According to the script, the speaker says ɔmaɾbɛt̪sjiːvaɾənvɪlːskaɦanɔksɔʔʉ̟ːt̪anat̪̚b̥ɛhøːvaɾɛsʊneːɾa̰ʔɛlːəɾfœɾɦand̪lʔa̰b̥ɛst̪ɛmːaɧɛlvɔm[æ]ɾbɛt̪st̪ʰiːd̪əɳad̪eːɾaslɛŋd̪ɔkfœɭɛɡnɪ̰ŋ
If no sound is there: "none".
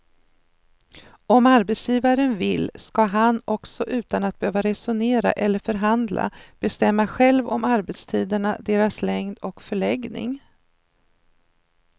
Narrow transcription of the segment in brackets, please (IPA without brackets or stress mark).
a